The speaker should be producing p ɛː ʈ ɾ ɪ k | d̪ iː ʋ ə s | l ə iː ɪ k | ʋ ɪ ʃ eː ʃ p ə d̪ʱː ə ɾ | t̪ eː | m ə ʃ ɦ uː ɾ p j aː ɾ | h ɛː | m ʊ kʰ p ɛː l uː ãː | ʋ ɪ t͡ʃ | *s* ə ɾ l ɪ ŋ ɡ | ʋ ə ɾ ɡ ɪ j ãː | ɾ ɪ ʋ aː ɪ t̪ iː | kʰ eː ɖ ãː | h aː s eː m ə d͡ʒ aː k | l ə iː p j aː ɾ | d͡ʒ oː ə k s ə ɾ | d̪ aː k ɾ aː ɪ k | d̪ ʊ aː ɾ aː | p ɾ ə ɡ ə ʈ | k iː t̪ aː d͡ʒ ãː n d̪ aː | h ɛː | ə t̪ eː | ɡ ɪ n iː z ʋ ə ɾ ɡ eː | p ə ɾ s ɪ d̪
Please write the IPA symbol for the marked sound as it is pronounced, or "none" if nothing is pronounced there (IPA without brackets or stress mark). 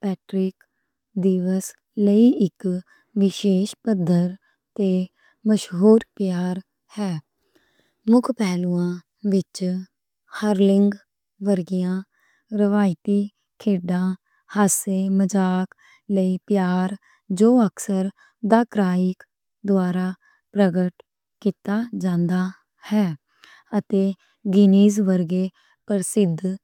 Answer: h